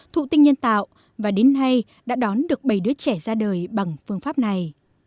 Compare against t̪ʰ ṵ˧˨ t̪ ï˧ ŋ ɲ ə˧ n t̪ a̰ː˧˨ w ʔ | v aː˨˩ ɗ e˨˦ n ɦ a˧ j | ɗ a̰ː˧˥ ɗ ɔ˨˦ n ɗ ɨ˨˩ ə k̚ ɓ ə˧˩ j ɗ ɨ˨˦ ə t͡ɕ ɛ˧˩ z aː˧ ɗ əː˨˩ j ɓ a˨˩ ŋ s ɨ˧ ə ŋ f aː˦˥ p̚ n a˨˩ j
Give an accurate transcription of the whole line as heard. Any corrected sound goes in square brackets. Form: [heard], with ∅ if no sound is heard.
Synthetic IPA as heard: t̪ʰ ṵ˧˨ t̪ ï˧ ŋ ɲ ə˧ n t̪ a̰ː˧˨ w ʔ | v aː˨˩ ɗ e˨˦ n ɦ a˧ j | ɗ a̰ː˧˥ ɗ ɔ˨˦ n ɗ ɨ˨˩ ə k̚ ɓ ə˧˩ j ɗ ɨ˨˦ ə t͡ɕ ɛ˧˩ z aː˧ ɗ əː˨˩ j ɓ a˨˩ ŋ [f] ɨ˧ ə ŋ f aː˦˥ p̚ n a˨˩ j